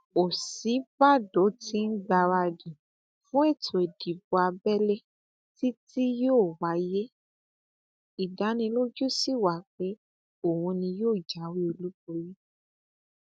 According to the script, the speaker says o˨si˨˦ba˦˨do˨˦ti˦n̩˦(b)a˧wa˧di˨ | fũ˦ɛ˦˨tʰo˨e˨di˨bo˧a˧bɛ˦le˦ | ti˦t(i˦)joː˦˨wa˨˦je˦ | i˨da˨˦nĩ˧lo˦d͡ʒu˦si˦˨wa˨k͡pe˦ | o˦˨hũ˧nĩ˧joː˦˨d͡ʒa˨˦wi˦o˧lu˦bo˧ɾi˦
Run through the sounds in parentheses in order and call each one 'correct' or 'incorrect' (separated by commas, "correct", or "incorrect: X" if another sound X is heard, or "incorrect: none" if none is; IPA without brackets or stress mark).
incorrect: ɡ͡b, correct